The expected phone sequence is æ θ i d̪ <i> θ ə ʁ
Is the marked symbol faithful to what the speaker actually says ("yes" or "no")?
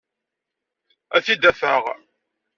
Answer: no